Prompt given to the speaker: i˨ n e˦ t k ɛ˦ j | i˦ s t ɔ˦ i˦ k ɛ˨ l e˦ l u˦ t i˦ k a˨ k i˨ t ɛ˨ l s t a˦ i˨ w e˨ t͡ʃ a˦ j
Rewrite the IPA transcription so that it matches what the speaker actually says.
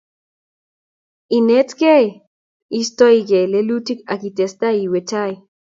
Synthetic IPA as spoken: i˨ n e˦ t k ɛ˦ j | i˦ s t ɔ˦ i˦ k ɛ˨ l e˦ l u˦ t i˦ k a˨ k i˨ t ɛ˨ s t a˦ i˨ w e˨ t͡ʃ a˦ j

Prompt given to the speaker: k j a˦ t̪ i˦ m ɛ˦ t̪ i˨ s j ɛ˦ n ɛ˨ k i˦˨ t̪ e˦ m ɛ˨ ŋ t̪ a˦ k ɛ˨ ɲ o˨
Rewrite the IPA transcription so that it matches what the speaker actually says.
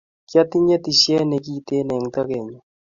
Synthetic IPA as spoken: k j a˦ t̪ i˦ ɲ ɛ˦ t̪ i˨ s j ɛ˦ n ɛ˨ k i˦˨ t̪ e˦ n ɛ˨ ŋ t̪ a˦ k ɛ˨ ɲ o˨

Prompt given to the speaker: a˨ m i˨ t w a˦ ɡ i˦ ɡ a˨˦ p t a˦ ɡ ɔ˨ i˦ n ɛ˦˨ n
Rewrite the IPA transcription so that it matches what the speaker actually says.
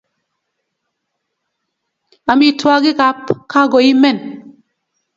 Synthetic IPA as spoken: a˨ m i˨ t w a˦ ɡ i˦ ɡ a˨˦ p k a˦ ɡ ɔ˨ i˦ m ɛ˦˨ n

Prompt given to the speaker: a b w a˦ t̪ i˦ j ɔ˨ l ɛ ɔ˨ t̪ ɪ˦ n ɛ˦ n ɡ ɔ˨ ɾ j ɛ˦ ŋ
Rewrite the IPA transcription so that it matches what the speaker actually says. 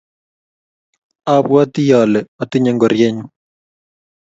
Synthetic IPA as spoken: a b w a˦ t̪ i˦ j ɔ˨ l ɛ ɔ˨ t̪ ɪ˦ ɲ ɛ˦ ŋ ɡ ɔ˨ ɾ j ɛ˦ ɲ

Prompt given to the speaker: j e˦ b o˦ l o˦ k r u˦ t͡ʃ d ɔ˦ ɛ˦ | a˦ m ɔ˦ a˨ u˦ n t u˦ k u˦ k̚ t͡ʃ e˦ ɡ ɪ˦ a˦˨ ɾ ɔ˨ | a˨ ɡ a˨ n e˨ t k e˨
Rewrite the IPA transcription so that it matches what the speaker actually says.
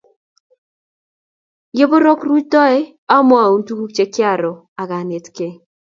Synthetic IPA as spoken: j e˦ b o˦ ɾ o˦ k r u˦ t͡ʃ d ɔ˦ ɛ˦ | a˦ m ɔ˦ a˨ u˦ n t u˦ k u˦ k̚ t͡ʃ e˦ k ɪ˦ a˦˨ ɾ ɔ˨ | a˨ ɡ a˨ n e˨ t k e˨

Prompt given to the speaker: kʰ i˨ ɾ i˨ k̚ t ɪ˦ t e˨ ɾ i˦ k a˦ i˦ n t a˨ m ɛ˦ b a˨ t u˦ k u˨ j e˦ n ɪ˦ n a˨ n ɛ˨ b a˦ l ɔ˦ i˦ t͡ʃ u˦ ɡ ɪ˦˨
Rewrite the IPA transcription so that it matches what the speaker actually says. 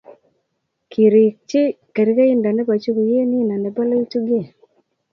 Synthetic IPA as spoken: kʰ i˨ ɾ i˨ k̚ t͡ʃ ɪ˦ k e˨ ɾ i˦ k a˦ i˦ n d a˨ n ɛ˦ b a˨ t͡ʃ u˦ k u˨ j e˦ n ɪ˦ n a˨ n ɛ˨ b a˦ l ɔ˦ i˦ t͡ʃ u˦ ɡ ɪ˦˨

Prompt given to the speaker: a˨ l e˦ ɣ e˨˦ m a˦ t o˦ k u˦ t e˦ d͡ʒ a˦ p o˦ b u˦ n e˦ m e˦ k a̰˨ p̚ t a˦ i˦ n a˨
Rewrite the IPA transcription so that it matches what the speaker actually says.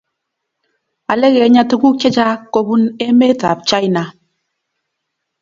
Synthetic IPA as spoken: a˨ l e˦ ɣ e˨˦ ɲ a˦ t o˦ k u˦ k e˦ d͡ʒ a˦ k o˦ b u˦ n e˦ m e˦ t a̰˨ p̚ t͡ʃ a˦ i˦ n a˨

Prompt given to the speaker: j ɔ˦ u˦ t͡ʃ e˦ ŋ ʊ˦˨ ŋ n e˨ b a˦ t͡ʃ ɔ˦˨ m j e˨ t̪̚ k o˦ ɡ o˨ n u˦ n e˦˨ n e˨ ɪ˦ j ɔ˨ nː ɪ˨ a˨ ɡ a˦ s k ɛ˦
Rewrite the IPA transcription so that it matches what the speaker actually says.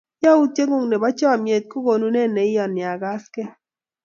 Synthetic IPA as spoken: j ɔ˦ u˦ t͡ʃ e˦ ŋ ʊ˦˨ ŋ n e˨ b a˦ t͡ʃ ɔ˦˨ m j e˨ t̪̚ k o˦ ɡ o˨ n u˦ n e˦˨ n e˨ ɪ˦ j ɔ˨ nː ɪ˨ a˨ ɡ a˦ s k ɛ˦

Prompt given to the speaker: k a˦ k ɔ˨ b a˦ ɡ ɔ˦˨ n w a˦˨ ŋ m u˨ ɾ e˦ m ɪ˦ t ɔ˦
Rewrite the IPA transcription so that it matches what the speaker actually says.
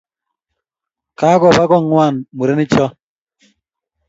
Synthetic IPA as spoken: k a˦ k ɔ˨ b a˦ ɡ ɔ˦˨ ŋ w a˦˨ n m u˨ ɾ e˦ n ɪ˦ t͡ʃ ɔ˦

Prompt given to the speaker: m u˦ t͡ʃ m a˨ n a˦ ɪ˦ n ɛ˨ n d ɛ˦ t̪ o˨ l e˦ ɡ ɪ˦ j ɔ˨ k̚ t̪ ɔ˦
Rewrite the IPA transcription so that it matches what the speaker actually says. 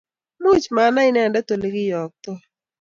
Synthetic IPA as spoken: m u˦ t͡ʃ m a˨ n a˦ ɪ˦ n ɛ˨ n d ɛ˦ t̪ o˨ l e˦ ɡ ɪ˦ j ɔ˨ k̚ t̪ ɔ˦

